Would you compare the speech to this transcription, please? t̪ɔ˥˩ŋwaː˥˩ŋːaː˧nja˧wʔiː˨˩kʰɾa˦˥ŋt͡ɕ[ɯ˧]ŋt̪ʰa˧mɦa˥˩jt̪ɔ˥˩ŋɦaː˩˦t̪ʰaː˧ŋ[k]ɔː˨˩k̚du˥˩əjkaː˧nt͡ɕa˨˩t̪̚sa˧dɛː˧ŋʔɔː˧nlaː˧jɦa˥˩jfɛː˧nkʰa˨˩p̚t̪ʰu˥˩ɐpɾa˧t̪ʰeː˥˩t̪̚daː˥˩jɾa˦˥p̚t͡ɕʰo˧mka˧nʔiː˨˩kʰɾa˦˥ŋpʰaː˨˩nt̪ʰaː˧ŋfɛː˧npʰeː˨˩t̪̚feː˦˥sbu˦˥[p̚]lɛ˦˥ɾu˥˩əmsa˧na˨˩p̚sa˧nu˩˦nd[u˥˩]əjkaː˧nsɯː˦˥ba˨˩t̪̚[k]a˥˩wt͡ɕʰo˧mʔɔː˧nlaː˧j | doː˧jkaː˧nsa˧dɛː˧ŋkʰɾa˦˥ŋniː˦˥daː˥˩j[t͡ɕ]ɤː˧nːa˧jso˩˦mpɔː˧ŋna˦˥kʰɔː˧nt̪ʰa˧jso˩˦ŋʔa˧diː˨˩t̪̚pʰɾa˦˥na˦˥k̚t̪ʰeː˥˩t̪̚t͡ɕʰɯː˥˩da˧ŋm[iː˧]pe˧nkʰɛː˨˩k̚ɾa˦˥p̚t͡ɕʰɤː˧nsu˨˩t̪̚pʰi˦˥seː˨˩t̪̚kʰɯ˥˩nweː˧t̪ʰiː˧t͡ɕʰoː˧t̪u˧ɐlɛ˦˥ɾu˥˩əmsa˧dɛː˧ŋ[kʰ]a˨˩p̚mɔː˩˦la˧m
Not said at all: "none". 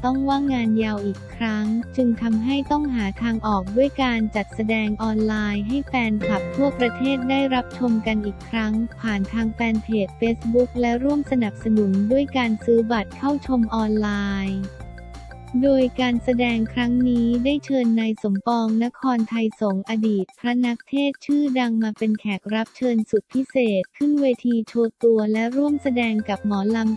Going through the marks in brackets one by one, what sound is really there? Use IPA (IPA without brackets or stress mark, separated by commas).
ɯ˧, ʔ, k̚, u˥˩, kʰ, t͡ɕʰ, aː˧, k